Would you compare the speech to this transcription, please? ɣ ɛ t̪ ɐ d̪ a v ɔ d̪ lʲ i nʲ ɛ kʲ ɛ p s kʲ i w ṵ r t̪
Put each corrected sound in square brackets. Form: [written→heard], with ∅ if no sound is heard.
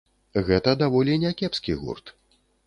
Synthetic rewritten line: ɣ ɛ t̪ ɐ d̪ a v ɔ [d̪→∅] lʲ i nʲ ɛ kʲ ɛ p s kʲ i [w→ɣ] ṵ r t̪